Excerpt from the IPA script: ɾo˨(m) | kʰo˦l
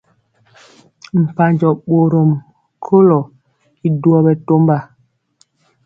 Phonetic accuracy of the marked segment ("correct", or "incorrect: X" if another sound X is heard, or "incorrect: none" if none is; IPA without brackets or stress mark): correct